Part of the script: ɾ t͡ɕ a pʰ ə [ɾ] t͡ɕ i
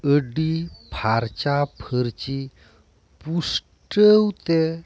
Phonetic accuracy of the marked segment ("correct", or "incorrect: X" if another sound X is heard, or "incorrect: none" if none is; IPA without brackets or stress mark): correct